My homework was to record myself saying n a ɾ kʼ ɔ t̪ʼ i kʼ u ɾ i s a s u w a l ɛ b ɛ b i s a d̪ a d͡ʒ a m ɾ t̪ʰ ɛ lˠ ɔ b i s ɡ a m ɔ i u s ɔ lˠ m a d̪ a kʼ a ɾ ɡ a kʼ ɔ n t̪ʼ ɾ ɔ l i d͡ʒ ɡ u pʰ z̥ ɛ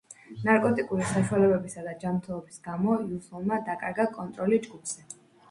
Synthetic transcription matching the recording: n a ɾ kʼ ɔ t̪ʼ i kʼ u ɾ i s a ʃ u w a l ɛ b ɛ b i s a d̪ a d͡ʒ a m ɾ t̪ʰ ɛ lˠ ɔ b i s ɡ a m ɔ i u s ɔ lˠ m a d̪ a kʼ a ɾ ɡ a kʼ ɔ n t̪ʼ ɾ ɔ l i d͡ʒ ɡ u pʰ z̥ ɛ